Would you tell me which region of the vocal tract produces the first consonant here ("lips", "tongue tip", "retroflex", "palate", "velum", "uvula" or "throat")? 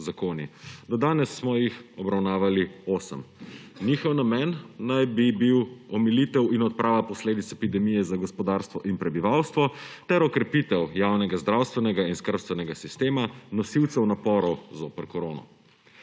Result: tongue tip